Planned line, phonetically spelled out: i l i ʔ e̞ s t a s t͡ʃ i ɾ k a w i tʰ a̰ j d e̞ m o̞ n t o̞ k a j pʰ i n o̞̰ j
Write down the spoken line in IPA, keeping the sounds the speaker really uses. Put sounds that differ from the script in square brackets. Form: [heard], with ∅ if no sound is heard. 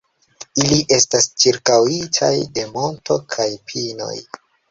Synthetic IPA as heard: i l i ʔ e̞ s t a s t͡ʃ i ɾ k a w i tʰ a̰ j d e̞ m o̞ n t o̞ [kʰ] a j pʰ i n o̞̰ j